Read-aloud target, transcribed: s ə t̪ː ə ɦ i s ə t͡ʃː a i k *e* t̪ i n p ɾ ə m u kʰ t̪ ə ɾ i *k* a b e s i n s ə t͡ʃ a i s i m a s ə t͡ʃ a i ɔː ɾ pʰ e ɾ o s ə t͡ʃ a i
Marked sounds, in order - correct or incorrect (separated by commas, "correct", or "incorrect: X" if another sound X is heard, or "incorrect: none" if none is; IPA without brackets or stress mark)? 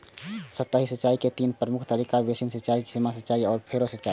correct, correct